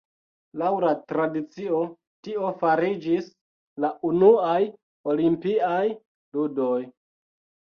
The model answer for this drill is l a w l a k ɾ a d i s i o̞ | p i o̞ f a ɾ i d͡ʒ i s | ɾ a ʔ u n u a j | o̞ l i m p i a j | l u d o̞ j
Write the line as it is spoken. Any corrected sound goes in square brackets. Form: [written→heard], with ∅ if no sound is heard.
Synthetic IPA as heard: l a w l a [k→t] ɾ a d i [s→t͡s] i o̞ | [p→t] i o̞ f a ɾ i d͡ʒ i s | [ɾ→l] a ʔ u n u a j | o̞ l i m p i a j | l u d o̞ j